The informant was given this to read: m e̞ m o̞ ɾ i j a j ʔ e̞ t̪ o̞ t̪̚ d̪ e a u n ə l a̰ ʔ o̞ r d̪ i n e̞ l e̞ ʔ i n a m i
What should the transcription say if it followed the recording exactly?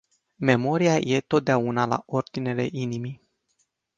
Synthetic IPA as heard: m e̞ m o̞ ɾ i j a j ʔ e̞ t̪ o̞ t̪̚ d̪ e a u n a l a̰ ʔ o̞ r d̪ i n e̞ l e̞ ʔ i n i m i